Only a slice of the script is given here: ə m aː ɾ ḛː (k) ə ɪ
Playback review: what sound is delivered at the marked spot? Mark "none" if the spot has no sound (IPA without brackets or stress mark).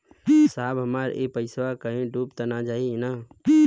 p